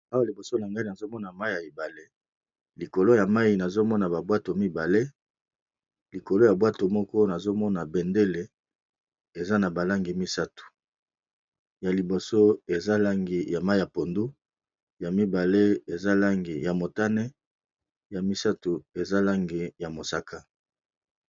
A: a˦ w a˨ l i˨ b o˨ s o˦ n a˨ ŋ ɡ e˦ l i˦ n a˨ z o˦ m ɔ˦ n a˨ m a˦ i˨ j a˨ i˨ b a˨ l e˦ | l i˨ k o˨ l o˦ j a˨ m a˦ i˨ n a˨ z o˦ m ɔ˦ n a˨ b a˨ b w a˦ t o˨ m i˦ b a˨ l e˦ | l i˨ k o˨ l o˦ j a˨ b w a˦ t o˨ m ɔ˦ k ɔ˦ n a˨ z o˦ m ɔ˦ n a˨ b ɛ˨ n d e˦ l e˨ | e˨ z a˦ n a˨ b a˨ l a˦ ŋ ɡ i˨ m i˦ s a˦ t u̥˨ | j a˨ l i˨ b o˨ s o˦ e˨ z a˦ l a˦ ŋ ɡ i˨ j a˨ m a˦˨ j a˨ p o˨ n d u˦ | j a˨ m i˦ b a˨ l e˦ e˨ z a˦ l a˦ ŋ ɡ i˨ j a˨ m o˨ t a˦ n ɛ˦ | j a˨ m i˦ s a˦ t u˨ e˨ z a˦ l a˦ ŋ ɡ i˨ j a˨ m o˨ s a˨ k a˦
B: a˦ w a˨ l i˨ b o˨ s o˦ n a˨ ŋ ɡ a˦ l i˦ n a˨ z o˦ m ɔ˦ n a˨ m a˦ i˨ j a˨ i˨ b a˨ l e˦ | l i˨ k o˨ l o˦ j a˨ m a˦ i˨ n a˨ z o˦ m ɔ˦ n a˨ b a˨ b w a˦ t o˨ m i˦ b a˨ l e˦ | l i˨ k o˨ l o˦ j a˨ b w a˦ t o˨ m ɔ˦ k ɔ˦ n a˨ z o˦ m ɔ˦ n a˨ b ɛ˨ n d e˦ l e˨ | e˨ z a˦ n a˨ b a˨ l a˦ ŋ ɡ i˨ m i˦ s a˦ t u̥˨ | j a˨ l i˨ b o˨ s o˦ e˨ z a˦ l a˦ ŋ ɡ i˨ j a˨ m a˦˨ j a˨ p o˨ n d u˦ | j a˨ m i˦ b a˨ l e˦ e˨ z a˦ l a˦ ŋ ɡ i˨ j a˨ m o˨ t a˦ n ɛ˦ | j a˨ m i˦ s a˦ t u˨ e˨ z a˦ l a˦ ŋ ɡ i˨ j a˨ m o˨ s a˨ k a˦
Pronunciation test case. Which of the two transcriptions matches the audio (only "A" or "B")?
B